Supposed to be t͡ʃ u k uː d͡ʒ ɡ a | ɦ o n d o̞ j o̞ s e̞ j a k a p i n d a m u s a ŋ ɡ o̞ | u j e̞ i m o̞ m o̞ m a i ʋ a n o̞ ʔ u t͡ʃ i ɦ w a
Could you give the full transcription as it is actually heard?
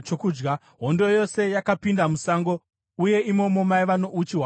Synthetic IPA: t͡ʃ o k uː d͡ʒ ɡ a | ɦ o n d o̞ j o̞ s e̞ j a k a p i n d a m u s a ŋ ɡ o̞ | u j e̞ i m o̞ m o̞ m a i ʋ a n o̞ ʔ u t͡ʃ i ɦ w a